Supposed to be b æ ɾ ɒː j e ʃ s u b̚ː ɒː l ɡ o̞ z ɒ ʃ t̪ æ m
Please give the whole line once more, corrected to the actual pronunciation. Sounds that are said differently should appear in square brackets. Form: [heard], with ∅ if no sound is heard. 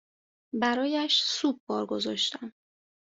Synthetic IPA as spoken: b æ ɾ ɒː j [æ] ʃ s u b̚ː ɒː [ɾ] ɡ o̞ z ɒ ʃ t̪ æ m